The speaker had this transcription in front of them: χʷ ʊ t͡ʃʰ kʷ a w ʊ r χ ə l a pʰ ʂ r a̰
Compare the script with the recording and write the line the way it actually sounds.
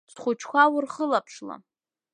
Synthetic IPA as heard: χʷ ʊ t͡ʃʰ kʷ a w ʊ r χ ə l a pʰ ʂ l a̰